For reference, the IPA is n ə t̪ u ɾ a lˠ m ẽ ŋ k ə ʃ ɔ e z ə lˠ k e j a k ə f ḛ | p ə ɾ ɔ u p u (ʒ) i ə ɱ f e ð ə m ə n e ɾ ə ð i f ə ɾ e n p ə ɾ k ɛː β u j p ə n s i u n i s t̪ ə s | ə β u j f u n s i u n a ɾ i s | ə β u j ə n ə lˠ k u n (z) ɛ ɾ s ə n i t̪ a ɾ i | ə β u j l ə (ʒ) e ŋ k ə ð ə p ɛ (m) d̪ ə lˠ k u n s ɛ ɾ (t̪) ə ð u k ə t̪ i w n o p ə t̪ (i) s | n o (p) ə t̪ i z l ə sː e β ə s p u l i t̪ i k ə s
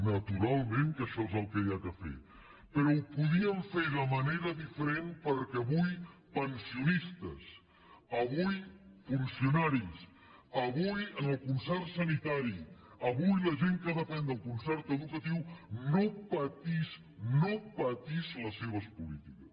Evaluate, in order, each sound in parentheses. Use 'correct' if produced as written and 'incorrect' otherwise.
incorrect, incorrect, correct, incorrect, correct, correct, correct

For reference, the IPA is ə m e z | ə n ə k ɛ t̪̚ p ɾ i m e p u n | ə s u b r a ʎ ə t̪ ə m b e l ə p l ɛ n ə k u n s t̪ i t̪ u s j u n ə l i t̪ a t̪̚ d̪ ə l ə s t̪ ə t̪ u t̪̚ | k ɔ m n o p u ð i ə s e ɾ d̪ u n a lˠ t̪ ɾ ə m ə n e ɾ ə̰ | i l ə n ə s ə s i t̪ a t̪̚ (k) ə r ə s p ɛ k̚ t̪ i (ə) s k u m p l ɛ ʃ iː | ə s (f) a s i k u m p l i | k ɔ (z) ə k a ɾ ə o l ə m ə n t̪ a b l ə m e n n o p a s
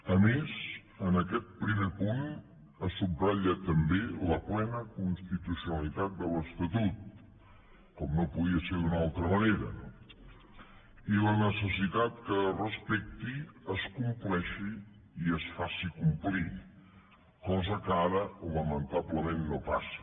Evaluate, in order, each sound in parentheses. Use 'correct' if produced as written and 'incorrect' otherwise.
correct, correct, correct, correct

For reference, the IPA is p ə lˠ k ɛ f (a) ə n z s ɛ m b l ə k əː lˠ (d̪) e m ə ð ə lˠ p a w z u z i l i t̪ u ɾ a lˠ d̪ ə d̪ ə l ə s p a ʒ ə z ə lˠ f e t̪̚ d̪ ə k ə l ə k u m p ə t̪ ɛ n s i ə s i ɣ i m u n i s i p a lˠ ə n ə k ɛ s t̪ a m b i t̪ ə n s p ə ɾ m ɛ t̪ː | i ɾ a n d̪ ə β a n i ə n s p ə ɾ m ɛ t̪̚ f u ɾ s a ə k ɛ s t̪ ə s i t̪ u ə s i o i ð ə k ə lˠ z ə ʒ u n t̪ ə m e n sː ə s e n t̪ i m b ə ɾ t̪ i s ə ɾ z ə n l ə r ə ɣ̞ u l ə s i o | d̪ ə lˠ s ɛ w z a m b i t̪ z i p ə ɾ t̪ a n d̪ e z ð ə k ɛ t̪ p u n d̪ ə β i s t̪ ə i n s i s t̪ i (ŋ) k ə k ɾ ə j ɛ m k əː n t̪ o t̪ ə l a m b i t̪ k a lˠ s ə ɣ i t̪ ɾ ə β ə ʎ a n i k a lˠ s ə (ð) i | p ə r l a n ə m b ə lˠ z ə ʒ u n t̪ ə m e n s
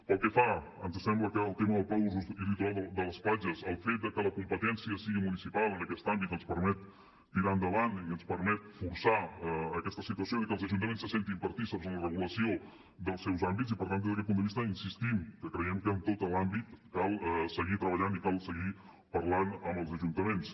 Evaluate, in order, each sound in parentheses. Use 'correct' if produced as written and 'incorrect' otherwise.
correct, incorrect, incorrect, incorrect

